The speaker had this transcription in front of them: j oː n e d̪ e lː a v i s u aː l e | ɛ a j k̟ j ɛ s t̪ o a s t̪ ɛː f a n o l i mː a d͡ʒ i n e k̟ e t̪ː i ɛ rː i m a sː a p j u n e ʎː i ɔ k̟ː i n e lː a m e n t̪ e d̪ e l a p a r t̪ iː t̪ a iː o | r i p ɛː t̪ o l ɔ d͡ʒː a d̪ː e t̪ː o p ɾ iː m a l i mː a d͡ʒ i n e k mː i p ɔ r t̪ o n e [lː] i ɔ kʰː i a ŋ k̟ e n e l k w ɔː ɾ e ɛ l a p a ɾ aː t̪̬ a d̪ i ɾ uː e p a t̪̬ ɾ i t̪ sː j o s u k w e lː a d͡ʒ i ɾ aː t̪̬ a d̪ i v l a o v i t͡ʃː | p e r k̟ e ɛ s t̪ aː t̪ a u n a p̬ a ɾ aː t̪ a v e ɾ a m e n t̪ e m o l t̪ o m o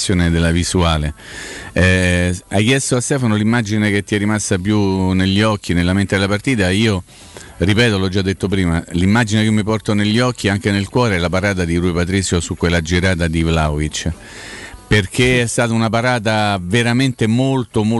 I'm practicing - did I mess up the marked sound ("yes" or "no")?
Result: yes